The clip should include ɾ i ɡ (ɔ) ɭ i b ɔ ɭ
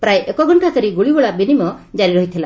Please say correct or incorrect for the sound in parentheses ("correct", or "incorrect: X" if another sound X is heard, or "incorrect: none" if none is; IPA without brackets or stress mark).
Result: incorrect: u